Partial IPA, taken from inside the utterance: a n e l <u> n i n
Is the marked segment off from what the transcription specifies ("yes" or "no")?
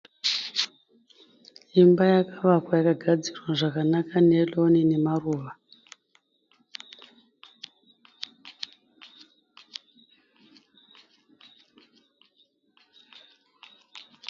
yes